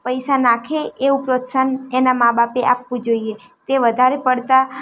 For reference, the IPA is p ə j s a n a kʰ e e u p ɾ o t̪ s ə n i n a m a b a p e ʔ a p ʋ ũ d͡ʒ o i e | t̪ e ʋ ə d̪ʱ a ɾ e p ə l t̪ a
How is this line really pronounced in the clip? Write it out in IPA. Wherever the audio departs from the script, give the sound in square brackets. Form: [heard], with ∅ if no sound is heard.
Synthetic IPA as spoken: p ə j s a n a kʰ e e u p ɾ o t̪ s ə n [e] n a m a b a p e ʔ a p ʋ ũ d͡ʒ o i e | t̪ e ʋ ə d̪ʱ a ɾ e p ə [ɽ] t̪ a